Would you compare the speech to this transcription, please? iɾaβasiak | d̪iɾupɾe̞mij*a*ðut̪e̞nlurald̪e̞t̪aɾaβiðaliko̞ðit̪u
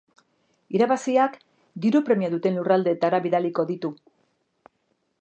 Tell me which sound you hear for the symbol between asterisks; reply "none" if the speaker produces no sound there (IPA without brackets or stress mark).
a